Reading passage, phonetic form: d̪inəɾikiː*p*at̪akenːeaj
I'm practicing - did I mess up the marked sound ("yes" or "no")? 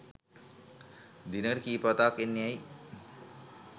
no